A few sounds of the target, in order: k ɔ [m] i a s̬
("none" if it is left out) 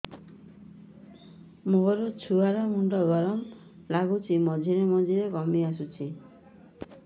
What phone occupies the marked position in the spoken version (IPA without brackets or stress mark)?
m